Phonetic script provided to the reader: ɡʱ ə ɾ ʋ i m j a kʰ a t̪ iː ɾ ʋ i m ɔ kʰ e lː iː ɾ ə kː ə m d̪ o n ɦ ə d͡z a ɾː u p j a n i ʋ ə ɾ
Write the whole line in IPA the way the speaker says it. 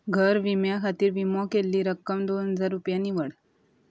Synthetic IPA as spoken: ɡʱ ə ɾ ʋ i m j a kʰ a t̪ iː ɾ ʋ i m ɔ k e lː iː ɾ ə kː ə m d̪ o n ɦ ə d͡z a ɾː u p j a n i ʋ ə ɽ